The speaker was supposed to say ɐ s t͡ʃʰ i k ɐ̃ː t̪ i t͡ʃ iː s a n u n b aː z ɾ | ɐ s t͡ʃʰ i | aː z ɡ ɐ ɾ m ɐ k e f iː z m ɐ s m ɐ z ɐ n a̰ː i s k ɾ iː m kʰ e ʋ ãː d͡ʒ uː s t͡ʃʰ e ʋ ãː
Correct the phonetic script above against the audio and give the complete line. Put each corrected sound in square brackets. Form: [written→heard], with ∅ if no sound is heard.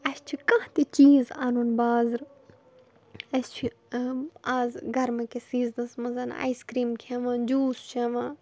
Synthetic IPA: ɐ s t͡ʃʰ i k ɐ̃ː t̪ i t͡ʃ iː [s→z] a n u n b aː z ɾ | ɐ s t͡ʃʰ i | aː z ɡ ɐ ɾ m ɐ k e [f→s] iː z [m→n] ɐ s m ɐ z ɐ n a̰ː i s k ɾ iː m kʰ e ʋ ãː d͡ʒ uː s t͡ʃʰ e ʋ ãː

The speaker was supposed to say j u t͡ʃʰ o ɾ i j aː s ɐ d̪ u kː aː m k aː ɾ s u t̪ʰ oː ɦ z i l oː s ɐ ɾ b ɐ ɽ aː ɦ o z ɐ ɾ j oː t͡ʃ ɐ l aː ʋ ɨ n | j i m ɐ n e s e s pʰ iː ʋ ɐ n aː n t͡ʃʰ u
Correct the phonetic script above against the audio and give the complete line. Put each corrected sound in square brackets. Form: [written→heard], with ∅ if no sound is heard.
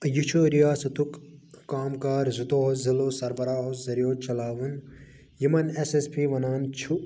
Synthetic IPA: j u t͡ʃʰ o ɾ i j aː s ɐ [d̪→t̪] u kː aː m k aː ɾ [s→z] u [t̪ʰ→t̪] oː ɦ z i l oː s ɐ ɾ b ɐ [ɽ→ɾ] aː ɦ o z ɐ ɾ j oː t͡ʃ ɐ l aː ʋ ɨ n | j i m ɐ n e s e s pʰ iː ʋ ɐ n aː n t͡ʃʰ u

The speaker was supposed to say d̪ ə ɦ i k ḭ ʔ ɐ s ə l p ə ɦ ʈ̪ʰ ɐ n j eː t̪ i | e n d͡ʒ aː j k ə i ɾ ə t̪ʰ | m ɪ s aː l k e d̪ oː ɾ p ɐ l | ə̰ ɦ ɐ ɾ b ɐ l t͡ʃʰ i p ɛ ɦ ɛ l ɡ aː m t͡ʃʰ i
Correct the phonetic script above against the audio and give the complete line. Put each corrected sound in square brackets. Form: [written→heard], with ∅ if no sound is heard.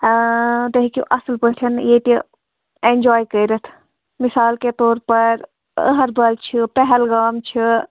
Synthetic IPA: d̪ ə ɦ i k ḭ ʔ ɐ s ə l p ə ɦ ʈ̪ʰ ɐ n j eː t̪ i | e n d͡ʒ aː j k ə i ɾ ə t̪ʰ | m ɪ s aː l k e [d̪→t̪] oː ɾ p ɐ [l→ɾ] | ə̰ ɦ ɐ ɾ b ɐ l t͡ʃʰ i p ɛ ɦ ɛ l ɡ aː m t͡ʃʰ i

